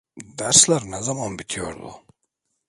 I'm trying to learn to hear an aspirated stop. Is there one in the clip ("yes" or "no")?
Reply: yes